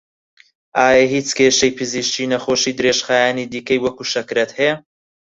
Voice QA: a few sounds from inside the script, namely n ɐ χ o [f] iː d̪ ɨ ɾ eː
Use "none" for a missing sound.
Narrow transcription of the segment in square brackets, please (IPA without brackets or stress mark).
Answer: ʃ